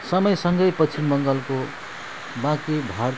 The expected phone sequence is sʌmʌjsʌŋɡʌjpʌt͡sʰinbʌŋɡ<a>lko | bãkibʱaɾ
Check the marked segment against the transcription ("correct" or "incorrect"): incorrect